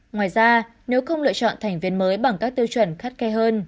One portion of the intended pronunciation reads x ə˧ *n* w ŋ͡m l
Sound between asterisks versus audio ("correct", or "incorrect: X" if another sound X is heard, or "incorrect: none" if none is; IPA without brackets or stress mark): incorrect: none